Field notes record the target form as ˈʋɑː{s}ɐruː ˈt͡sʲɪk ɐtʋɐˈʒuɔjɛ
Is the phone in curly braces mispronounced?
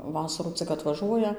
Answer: no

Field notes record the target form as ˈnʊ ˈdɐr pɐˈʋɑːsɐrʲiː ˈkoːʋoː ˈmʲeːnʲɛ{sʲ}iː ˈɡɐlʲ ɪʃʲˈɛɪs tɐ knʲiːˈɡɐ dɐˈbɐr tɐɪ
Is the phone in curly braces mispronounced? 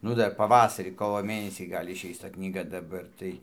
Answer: no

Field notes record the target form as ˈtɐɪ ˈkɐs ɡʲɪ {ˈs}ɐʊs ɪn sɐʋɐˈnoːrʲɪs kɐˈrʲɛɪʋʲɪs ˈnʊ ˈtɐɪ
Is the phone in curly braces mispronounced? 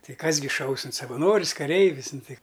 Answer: yes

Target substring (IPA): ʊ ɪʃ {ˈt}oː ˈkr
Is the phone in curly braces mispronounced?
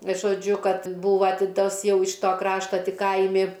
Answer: no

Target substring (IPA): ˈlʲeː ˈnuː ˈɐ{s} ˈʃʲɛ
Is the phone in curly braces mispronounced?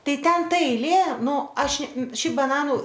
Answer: yes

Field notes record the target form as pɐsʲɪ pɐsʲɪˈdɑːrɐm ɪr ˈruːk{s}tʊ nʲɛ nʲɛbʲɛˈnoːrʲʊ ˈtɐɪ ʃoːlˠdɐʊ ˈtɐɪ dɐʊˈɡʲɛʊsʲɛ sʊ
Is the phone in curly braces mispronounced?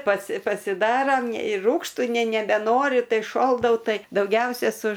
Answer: yes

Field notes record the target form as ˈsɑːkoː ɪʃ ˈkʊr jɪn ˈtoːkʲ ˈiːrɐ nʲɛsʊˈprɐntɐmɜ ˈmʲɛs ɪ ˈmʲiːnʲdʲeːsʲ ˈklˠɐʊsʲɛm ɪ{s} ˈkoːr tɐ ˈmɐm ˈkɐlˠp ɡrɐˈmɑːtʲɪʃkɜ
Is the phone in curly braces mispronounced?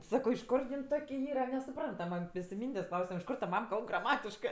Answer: yes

